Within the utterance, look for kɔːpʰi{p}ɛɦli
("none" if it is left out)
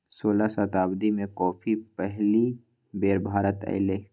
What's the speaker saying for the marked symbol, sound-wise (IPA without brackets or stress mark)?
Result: p